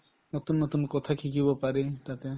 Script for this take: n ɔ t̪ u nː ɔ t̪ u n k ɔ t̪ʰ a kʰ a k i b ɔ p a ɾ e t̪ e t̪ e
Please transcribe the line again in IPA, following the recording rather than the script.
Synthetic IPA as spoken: n ɔ t̪ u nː ɔ t̪ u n k ɔ t̪ʰ a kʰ i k i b ɔ p a ɾ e t̪ a t̪ e